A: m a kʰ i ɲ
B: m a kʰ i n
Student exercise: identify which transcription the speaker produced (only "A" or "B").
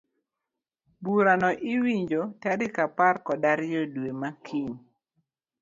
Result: A